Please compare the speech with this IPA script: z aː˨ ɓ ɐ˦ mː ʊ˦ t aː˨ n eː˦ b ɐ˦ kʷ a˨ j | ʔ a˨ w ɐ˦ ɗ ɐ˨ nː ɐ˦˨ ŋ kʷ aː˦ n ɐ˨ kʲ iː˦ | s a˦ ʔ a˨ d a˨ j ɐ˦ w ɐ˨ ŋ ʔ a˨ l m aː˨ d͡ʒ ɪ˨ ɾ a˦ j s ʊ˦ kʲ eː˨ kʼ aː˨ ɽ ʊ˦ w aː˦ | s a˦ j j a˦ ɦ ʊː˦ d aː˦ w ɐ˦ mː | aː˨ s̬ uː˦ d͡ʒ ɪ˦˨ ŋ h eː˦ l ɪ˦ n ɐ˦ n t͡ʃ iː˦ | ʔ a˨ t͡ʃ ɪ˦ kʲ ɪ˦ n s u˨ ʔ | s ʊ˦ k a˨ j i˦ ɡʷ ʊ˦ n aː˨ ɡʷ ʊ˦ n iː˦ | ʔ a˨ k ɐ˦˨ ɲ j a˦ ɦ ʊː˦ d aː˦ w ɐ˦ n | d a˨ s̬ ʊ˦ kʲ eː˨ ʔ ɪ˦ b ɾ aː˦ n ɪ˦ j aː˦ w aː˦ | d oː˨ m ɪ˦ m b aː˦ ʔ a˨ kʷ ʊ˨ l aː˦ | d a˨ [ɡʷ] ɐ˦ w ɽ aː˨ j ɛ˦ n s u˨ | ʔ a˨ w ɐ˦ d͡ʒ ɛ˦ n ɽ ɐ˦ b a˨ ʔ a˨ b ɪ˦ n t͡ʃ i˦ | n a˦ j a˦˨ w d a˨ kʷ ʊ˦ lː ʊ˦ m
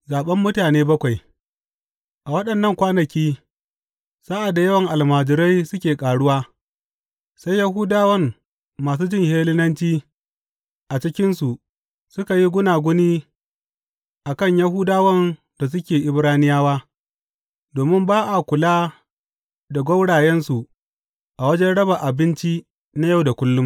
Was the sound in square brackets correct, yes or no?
yes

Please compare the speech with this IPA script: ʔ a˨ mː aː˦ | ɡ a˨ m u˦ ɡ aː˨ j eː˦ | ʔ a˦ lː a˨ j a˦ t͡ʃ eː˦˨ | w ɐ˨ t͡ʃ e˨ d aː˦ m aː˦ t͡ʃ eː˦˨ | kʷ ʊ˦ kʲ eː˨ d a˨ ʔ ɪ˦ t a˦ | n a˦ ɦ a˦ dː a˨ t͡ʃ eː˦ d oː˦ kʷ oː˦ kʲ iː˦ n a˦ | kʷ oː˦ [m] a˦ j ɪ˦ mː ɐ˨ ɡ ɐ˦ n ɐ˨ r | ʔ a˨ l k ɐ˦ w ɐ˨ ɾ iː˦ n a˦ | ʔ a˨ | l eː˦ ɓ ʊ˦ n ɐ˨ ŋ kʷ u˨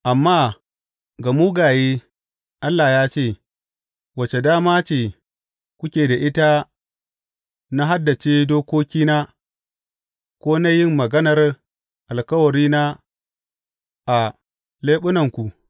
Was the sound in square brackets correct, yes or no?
no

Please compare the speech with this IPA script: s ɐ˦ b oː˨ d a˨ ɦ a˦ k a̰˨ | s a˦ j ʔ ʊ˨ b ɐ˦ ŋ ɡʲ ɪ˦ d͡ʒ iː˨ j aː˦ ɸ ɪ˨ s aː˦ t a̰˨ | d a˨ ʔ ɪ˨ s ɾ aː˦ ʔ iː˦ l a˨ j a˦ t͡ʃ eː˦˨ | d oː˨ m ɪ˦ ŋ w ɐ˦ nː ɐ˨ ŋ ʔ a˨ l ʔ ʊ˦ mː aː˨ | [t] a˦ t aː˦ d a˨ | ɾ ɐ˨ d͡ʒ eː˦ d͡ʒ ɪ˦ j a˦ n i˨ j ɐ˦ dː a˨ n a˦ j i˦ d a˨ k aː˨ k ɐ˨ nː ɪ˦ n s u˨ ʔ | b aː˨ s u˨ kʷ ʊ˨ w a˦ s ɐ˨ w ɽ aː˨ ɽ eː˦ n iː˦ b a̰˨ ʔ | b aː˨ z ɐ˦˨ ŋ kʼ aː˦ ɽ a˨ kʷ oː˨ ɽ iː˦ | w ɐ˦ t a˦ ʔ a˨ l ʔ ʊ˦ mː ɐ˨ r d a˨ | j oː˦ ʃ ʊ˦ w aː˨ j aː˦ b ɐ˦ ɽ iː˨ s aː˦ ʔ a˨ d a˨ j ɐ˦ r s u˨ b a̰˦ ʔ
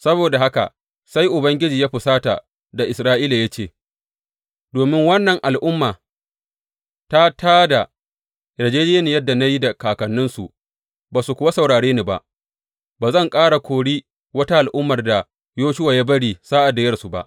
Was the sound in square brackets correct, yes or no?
yes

